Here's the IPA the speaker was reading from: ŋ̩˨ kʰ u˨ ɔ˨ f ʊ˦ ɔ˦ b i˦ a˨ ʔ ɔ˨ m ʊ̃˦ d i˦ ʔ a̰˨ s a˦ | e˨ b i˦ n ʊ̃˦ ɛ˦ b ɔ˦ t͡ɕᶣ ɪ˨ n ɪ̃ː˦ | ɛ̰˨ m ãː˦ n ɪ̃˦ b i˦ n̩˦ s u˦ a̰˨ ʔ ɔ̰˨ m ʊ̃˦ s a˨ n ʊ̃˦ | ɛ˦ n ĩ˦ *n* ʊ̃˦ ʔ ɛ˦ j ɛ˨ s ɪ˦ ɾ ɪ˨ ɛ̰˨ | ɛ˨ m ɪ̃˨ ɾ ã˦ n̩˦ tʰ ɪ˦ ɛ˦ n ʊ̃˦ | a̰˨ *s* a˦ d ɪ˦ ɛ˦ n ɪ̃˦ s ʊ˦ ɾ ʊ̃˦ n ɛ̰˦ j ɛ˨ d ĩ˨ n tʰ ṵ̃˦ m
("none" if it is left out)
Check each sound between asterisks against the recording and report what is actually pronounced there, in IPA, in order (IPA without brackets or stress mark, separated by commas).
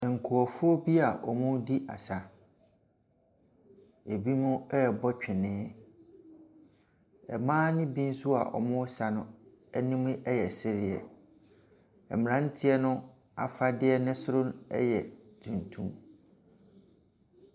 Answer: m, f